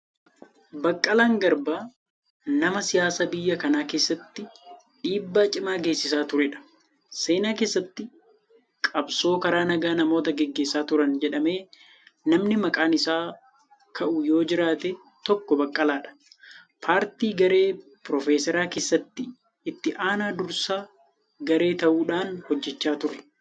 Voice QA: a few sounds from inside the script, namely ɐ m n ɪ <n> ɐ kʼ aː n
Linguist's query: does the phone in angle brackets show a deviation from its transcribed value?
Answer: yes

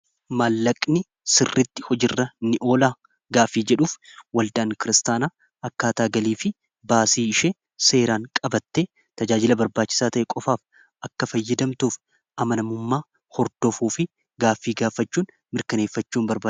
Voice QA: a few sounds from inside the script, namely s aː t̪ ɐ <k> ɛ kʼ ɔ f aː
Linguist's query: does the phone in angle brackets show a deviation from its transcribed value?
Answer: yes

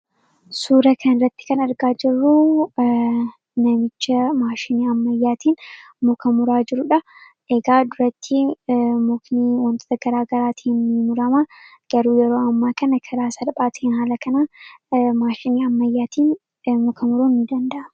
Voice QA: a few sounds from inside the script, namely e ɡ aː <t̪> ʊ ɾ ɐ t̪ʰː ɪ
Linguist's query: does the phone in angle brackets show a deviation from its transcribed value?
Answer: yes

